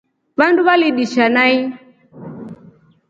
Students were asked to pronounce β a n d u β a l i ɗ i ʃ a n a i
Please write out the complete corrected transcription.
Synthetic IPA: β a n d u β a l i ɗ i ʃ a n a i